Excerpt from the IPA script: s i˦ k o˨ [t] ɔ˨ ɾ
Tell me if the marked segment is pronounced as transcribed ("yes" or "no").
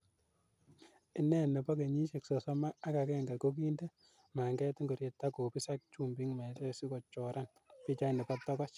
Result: no